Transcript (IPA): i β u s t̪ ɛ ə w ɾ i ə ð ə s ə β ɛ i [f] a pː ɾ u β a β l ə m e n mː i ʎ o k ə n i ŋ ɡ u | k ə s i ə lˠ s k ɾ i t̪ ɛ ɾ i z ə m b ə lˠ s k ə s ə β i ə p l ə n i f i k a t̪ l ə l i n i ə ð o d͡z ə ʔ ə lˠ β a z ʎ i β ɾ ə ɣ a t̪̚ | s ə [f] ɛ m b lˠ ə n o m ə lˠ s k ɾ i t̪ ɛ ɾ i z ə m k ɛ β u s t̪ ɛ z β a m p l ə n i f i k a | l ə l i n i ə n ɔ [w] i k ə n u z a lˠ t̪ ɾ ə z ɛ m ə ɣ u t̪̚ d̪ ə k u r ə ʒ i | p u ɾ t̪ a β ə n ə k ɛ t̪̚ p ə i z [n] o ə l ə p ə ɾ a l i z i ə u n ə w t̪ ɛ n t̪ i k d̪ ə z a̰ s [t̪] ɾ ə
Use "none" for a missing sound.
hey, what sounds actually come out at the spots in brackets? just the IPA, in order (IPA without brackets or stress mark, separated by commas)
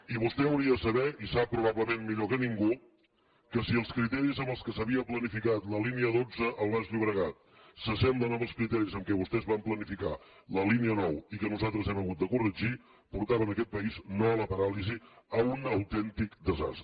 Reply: s, s, w, n, t̪